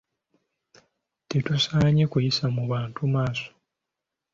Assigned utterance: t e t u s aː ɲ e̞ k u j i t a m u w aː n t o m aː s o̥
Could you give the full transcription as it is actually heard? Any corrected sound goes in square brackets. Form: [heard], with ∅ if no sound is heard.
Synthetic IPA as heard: t e t u s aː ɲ e̞ k u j i [s] a m u [β] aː n t [u] m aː s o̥

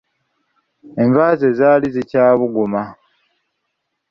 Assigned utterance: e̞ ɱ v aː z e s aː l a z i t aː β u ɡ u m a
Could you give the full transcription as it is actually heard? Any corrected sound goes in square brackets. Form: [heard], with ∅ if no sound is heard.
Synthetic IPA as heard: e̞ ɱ v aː z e [z] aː l [i] z i [c] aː β u ɡ u m a

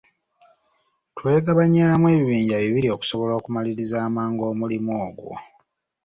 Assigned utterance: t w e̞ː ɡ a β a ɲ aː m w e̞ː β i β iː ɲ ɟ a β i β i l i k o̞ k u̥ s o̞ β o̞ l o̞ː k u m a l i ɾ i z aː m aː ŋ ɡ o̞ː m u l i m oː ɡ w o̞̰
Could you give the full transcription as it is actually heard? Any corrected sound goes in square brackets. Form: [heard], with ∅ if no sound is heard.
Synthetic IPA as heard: t w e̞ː ɡ a β a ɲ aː m w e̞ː β i β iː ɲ ɟ a β i β i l i [∅] o̞ k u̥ s o̞ β o̞ l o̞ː k u m a l i ɾ i z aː m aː ŋ ɡ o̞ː m u l i m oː ɡ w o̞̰

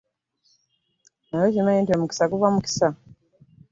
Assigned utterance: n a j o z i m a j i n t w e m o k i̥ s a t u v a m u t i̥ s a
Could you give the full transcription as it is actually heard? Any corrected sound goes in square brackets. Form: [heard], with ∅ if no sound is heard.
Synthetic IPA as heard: n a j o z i m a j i n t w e m [u] k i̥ s a [k] u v a m u [k] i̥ s a

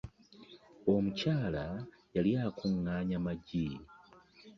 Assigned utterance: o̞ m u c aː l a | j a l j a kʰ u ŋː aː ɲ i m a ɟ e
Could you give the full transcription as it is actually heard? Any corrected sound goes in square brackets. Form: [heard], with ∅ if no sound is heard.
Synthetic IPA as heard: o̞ m u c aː l a | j a l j a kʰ u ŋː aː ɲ [a] m a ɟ [i]

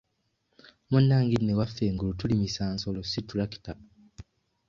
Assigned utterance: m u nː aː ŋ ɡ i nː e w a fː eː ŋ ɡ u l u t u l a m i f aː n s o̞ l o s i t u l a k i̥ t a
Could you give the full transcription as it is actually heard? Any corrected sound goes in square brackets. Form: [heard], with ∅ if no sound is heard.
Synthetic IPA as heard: m u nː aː ŋ ɡ i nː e w a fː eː ŋ ɡ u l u t u l [i] m i [s] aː n s o̞ l o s i t u l a k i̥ t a

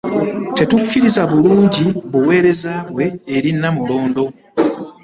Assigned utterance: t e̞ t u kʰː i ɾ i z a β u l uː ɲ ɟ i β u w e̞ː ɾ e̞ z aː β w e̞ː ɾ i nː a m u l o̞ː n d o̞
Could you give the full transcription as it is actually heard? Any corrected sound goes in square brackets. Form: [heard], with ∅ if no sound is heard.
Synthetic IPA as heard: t e̞ t u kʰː i ɾ i z a β u l uː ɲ ɟ i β u w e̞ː ɾ e̞ z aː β w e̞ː ɾ i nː a m u l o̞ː n d o̞

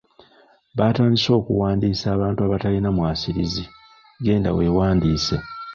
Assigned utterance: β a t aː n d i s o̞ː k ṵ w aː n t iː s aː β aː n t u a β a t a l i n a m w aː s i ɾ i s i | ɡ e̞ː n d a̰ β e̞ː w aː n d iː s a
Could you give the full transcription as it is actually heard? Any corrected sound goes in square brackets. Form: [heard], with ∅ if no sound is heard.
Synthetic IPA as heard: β a t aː n d i s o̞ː k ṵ w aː n [d] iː s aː β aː n t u a β a t a l i n a m w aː s i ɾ i [z] i | ɡ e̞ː n d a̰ [w] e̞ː w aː n d iː s [e]

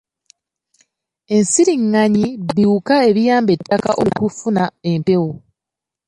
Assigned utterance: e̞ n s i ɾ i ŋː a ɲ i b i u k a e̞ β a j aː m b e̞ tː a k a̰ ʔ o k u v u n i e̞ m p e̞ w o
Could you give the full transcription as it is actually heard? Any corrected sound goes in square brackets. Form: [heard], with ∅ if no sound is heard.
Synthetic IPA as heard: e̞ n s i ɾ i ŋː a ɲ i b i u k a e̞ β [i] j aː m b e̞ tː a k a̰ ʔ o k u [f] u n [a] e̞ m p e̞ w o

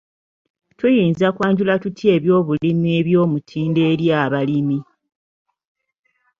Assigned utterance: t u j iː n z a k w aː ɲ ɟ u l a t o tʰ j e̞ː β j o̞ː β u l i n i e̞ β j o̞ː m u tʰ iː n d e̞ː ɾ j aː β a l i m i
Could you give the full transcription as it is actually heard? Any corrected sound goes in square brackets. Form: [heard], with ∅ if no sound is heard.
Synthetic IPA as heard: t u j iː n z a k w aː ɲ ɟ u l a t [u] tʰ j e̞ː β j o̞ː β u l i [m] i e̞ β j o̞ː m u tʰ iː n d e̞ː ɾ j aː β a l i m i

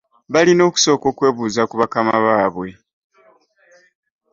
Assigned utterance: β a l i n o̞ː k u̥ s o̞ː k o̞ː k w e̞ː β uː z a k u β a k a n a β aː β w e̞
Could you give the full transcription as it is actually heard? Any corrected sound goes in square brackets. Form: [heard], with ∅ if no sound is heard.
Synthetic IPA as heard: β a l i n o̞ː k u̥ s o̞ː k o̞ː k w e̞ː β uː z a k u β a k a [m] a β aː β w e̞

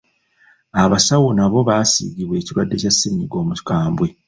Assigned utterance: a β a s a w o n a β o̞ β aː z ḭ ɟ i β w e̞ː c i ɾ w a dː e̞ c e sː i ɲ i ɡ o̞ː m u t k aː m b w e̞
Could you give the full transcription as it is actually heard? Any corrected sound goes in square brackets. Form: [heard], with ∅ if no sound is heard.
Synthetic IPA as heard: a β a s a w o n a β o̞ β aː [s] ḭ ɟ i β w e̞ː c i ɾ w a dː e̞ c [a] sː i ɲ i ɡ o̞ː m u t k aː m b w e̞

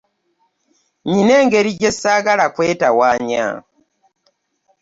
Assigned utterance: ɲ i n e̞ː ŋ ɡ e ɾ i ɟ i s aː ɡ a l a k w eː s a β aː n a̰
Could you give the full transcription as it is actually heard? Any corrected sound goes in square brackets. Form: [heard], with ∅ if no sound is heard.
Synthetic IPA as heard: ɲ i n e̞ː ŋ ɡ e ɾ i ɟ [e] s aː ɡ a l a k w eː [t] a [w] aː [ɲ] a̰

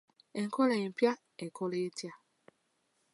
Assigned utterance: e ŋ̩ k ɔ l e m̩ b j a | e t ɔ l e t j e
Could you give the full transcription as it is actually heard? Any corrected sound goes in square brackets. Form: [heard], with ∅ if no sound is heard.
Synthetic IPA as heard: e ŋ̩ k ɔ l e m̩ [p] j a | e [k] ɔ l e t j [a]

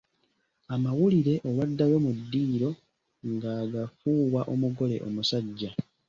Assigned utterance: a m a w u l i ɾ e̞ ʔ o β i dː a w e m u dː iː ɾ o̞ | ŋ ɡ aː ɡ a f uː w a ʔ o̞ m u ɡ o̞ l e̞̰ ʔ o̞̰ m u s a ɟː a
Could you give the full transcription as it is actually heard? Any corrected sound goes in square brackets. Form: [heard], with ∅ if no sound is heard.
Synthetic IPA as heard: a m a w u l i ɾ e̞ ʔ o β [a] dː a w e m u dː iː ɾ o̞ | ŋ ɡ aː ɡ a f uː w a ʔ o̞ m u ɡ o̞ l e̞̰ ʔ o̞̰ m u s a ɟː a

